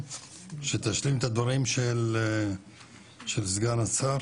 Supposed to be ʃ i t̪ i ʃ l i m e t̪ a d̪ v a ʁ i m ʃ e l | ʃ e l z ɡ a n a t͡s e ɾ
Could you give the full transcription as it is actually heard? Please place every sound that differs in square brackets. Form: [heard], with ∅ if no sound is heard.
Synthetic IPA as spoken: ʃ [e] t̪ [a] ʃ l i m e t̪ a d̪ v a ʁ i m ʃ e l | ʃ e l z ɡ a n a t͡s [a] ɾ